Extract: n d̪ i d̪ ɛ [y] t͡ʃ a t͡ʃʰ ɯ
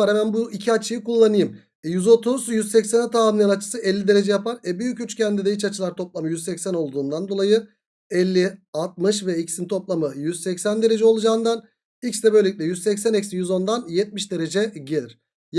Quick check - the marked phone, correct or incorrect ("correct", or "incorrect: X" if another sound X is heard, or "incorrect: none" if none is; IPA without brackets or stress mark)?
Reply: incorrect: i